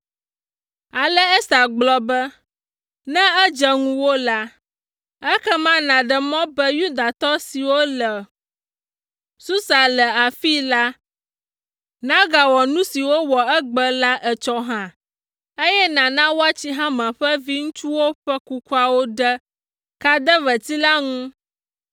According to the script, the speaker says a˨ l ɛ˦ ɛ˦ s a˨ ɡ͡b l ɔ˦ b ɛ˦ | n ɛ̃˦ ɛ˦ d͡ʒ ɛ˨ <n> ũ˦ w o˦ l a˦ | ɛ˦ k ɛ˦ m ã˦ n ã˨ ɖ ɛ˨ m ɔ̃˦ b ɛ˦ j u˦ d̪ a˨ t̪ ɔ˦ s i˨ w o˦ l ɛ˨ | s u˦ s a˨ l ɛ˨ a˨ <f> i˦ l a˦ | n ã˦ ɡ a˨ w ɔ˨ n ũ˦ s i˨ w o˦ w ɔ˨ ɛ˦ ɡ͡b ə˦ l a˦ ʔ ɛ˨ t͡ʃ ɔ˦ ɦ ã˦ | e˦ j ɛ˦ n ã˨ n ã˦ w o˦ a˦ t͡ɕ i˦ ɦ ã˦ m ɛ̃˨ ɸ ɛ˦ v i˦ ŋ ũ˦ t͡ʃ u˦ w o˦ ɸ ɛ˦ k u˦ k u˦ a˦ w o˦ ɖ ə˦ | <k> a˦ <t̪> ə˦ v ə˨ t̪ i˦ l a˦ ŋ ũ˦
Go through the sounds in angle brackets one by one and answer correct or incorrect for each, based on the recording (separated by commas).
incorrect, correct, correct, incorrect